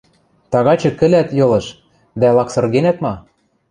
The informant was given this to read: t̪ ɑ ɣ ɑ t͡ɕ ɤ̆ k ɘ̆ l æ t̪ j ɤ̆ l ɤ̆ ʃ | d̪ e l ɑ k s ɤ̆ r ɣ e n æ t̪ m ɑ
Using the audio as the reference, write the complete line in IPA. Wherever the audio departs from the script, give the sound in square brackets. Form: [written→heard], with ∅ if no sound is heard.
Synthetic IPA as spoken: t̪ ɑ ɣ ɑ t͡ɕ ɤ̆ k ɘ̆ l æ t̪ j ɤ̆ l ɤ̆ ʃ | d̪ [e→æ] l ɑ k s ɤ̆ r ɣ e n æ t̪ m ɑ